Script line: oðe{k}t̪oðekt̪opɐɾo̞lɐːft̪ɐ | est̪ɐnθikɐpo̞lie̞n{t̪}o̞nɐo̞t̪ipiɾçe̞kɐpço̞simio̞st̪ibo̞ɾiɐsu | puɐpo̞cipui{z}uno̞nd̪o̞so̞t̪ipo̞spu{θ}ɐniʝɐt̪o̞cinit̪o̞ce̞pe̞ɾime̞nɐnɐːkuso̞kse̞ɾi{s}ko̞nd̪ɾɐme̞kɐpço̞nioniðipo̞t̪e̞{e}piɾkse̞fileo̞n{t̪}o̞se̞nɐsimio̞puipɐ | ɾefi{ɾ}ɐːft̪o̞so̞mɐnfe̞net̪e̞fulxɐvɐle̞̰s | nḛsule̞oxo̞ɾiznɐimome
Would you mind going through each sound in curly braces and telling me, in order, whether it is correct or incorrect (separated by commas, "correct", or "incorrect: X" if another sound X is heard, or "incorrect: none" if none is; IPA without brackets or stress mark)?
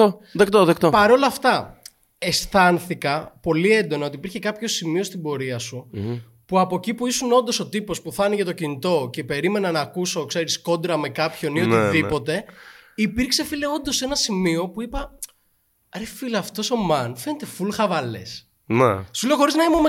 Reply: correct, incorrect: d̪, incorrect: s, correct, correct, incorrect: i, incorrect: d̪, incorrect: l